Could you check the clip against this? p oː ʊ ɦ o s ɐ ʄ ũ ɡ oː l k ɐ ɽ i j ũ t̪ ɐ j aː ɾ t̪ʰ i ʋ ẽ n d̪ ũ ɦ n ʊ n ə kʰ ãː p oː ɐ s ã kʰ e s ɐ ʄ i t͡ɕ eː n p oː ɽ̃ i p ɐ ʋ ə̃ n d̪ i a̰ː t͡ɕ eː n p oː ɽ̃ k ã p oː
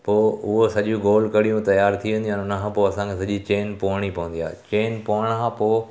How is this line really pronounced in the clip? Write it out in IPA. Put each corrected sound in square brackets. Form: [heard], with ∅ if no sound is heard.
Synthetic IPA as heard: p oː ʊ ɦ o s ɐ ʄ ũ ɡ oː l k ɐ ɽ i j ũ t̪ ɐ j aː ɾ t̪ʰ i ʋ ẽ n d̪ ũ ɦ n ʊ n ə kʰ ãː p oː ɐ s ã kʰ e s ɐ ʄ i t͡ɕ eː n p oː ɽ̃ i p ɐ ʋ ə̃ n d̪ i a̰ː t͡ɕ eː n p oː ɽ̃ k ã p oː